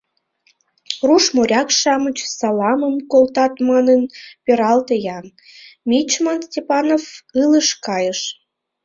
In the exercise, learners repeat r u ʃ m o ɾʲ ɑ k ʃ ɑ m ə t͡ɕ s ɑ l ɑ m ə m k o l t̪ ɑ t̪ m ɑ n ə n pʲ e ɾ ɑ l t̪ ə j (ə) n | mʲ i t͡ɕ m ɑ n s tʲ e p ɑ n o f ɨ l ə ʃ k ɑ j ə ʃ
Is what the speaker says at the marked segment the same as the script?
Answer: no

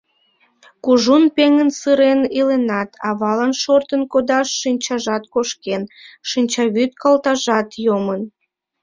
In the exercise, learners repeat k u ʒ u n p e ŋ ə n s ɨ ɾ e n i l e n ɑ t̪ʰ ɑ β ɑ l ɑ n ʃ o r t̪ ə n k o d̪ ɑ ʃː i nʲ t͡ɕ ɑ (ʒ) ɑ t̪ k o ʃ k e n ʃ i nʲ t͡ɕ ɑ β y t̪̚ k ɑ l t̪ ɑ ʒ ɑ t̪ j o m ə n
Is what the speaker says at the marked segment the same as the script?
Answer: yes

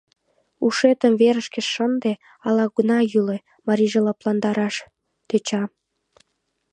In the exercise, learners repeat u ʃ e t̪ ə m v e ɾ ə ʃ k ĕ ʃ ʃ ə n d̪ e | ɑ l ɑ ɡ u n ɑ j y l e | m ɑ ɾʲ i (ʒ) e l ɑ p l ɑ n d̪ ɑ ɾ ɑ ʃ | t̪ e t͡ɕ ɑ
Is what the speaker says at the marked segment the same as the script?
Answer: yes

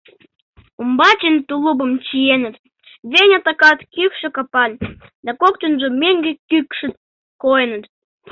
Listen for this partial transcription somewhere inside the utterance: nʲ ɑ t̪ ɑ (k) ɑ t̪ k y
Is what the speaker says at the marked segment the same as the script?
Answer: yes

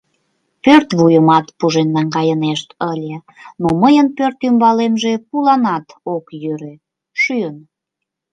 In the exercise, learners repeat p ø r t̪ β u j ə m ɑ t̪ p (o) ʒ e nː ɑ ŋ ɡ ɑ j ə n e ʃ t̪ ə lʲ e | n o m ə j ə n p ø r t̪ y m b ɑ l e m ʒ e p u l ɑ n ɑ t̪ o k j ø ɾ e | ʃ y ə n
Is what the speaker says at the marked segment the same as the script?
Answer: no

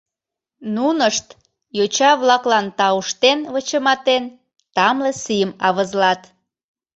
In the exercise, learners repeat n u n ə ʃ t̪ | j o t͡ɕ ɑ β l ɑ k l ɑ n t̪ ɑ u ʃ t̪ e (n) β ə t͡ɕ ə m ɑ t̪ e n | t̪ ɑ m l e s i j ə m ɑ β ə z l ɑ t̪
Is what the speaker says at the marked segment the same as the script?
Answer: yes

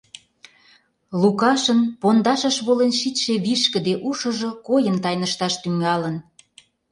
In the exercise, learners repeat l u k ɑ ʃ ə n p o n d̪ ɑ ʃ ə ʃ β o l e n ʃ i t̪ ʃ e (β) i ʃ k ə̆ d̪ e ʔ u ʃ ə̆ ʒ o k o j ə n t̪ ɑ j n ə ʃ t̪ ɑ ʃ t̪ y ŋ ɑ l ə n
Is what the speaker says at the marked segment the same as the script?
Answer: yes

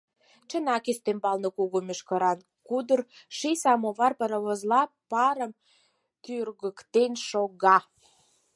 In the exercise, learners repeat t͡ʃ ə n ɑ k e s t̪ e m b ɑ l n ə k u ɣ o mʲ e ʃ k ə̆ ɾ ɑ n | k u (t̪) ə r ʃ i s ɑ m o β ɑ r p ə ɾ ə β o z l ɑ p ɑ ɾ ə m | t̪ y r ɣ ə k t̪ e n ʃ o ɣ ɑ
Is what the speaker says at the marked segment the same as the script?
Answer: no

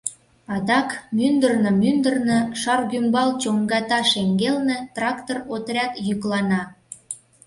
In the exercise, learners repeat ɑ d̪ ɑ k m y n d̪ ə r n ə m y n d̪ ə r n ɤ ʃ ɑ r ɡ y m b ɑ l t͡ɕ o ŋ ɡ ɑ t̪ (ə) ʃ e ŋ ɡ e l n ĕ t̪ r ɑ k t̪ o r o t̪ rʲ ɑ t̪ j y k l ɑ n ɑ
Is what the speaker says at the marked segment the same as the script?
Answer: no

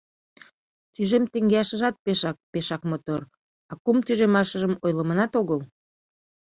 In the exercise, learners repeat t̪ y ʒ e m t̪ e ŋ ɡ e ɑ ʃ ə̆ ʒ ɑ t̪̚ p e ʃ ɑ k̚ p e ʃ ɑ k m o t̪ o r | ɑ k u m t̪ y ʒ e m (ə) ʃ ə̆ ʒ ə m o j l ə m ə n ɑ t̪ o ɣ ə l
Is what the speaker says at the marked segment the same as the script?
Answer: no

